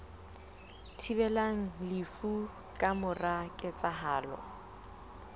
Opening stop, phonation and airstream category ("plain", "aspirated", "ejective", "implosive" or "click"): aspirated